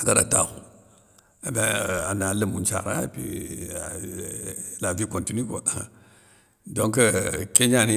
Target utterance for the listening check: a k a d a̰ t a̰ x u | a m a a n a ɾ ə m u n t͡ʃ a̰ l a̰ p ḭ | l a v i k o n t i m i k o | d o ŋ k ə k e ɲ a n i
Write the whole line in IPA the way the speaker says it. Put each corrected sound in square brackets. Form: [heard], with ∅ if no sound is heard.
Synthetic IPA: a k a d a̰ t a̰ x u | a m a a n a [l] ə m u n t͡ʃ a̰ [ɾ] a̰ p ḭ | l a v i k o n t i [n] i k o | d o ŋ k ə k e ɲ a n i

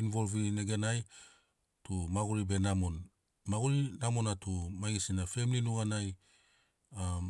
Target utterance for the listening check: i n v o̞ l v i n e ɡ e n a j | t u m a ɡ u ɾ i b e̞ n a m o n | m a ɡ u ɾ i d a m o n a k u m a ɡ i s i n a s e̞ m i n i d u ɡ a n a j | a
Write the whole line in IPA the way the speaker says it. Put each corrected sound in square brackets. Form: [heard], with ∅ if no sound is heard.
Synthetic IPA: i n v o̞ l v i n e ɡ e n a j | t u m a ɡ u ɾ i b e̞ n a m o n | m a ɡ u ɾ i [n] a m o n a [t] u m a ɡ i s i n a [f] e̞ m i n i [n] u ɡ a n a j | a

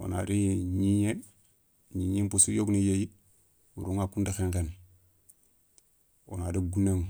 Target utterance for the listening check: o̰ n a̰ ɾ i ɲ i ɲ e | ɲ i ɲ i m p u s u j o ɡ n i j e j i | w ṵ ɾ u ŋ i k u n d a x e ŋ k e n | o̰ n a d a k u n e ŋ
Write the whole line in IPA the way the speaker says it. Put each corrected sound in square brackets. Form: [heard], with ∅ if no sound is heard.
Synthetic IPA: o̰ n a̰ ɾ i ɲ i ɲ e | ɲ i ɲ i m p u s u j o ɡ n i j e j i | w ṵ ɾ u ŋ [a] k u n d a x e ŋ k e n | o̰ n a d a [ɡ] u n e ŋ

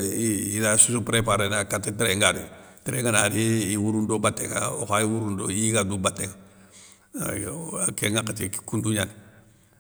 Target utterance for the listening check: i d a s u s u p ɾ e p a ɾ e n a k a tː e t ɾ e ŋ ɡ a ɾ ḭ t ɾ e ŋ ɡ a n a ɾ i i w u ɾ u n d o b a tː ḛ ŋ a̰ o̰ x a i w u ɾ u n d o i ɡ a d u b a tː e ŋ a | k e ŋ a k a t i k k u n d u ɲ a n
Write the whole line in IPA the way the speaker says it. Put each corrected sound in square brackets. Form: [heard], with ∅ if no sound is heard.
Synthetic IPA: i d a s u s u p ɾ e p a ɾ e n a k a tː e t ɾ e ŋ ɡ a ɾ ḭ t ɾ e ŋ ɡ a n a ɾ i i w u ɾ u n d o b a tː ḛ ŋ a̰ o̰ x a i w u ɾ u n d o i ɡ a d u b a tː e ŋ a | k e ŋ a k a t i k k u n d u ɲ a n

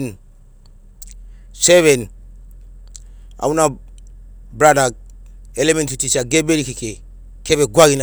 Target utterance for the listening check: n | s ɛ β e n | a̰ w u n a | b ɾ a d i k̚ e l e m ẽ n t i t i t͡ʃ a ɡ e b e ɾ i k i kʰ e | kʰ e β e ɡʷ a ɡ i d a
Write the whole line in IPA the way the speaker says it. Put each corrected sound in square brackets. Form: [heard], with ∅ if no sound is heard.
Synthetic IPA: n | s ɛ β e n | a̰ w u n a | b ɾ a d [a] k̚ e l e m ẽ n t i t i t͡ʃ a ɡ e b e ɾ i k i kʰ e | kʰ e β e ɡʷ a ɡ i [n] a

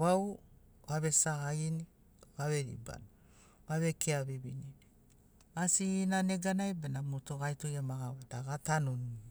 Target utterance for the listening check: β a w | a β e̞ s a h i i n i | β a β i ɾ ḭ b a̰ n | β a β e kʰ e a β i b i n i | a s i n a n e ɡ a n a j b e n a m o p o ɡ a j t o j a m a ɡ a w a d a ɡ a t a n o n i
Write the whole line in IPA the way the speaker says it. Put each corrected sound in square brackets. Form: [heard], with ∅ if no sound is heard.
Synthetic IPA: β a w | a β e̞ s a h [a] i n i | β a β [e] ɾ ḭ b a̰ n | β a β e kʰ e a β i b i n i | a s i n a n e ɡ a n a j b e n a m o [t] o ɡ a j t o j a m a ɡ a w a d a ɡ a t a n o n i

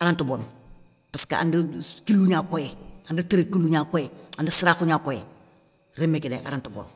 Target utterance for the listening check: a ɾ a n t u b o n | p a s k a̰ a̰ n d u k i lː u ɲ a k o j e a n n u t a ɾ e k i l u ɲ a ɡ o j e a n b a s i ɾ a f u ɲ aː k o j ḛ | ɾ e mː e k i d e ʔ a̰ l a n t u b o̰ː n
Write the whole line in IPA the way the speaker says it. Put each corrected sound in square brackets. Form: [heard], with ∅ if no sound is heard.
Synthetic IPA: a ɾ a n t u b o n | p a s k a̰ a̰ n d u k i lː u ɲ a k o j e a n [d] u t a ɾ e k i l u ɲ a [k] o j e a n [d] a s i ɾ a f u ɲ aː k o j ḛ | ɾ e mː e k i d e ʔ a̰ [ɾ] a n t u b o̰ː n

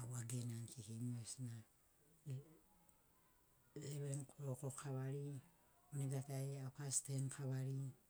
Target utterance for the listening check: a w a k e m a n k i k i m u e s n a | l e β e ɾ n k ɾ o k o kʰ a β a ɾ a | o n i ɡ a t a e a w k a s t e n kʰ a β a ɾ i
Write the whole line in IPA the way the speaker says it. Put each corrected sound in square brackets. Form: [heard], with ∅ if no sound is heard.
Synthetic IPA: a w a [ɡ] e [n] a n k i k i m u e s n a | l e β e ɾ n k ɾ o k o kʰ a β a ɾ [i] | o n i ɡ a t a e a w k a s t e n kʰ a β a ɾ i

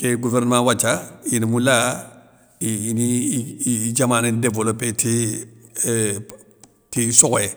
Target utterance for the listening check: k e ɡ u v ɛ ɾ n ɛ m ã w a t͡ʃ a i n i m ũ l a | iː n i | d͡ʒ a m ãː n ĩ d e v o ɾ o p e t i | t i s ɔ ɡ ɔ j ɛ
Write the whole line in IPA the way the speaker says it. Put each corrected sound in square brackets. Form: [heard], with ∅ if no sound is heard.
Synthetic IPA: k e ɡ u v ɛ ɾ n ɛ m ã w a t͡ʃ a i n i m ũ l a | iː n i | d͡ʒ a m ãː n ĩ d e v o [l] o p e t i | t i s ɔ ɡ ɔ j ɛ

